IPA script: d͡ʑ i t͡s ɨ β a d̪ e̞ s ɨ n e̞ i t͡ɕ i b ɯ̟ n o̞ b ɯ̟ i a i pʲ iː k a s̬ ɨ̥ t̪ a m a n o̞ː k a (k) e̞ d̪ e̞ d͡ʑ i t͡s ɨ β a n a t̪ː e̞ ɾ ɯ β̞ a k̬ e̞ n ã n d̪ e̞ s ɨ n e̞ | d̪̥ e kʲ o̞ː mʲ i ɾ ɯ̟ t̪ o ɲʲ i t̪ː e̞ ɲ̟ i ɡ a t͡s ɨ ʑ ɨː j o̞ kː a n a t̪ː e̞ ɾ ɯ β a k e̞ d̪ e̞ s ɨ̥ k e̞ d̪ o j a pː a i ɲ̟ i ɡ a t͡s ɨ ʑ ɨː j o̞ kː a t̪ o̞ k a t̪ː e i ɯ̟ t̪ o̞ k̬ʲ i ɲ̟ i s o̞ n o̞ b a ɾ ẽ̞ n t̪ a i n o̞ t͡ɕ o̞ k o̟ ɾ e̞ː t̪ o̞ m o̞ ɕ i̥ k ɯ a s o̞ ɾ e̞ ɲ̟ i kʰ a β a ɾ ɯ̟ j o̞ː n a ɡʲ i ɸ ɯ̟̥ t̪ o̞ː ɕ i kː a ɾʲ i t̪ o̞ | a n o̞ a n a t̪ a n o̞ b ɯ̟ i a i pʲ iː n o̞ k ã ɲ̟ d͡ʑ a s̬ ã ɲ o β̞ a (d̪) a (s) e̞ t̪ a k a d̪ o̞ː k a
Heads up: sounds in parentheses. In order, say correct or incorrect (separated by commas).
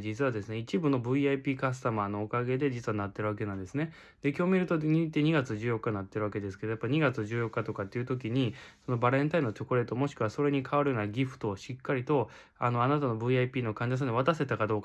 incorrect, incorrect, correct